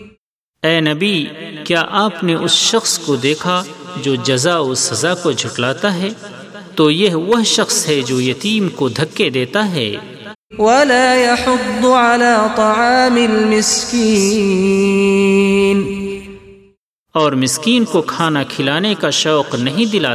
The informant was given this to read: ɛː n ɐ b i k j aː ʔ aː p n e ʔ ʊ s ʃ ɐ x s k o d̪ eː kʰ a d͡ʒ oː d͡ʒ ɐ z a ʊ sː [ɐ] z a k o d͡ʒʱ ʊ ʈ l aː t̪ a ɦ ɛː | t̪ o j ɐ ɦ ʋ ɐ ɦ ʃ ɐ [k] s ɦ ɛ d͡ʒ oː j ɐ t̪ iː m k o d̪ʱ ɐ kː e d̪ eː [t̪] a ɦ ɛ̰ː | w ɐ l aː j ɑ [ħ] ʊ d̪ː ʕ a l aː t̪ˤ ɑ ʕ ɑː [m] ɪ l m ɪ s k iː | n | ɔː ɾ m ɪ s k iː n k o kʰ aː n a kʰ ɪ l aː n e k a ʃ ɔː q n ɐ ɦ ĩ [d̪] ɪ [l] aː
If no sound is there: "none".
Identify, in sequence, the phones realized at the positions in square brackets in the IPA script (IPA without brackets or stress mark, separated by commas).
ɐ, x, t̪, ħ, m, d̪, l